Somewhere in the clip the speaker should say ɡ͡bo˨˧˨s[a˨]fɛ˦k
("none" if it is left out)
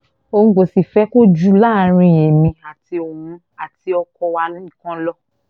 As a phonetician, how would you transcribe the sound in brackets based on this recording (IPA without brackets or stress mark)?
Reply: i˨